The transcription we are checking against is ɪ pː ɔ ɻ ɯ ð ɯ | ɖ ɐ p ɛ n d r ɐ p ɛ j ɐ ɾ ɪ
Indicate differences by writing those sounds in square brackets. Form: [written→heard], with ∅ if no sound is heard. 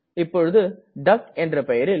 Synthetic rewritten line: ɪ pː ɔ ɻ ɯ ð ɯ | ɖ ɐ [p→k] ɛ n d r ɐ p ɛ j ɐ ɾ ɪ